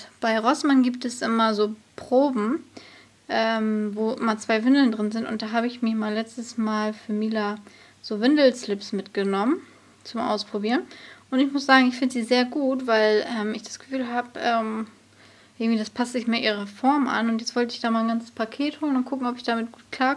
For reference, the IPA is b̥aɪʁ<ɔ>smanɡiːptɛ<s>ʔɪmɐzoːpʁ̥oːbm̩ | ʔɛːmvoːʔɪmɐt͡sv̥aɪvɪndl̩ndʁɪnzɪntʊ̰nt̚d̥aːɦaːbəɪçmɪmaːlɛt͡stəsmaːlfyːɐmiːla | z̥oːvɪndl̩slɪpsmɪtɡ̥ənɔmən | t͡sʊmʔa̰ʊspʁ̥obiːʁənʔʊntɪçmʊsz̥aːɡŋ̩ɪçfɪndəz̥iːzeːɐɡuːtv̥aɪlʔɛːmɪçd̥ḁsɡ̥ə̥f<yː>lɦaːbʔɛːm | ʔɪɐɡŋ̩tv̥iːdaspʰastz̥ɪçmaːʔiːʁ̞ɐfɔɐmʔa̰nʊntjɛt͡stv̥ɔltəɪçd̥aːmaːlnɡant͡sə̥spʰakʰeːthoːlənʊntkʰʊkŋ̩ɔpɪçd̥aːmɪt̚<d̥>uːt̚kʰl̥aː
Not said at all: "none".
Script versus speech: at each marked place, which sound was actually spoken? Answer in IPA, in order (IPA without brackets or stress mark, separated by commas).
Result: ɔ, s, yː, ɡ̥